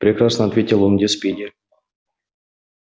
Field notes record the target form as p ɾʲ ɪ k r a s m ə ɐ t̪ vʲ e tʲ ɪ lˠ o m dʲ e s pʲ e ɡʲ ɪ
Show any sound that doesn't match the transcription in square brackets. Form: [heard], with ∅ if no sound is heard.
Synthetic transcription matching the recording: p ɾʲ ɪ k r a s [n] ə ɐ t̪ vʲ e tʲ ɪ lˠ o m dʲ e s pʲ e [dʲ] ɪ